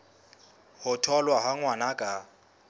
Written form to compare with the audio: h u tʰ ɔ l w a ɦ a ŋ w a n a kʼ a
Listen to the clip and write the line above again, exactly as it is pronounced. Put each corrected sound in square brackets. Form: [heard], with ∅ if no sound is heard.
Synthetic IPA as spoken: h [ʊ] tʰ ɔ l w a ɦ a ŋ w a n a kʼ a